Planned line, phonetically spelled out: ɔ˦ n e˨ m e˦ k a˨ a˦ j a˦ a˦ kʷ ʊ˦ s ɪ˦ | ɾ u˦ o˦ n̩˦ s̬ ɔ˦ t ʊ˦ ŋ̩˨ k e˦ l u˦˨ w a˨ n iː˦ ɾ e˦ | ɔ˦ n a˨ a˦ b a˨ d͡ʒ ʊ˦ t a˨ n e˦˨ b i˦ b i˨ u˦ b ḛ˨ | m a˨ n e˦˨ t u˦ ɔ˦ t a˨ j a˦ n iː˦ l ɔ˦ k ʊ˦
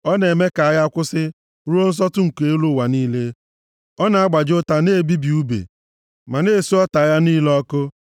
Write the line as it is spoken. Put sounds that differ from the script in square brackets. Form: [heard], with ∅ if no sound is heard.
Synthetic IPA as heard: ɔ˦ n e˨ m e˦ k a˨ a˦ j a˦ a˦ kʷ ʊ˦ s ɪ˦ | ɾ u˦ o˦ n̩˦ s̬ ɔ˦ t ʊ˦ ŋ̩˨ k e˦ l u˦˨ w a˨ n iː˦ [l] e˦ | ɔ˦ n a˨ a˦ [ɡ͡b] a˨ d͡ʒ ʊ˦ t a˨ n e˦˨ b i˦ b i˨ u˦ b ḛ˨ | m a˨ n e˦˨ [s] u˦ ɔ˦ t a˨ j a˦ n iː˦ l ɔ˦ k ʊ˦